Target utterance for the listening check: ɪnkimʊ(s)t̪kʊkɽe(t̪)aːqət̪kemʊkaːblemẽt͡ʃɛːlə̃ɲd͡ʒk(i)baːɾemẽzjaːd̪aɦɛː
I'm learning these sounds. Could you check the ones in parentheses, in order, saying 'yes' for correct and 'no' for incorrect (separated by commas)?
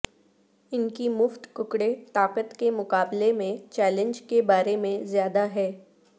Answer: no, yes, no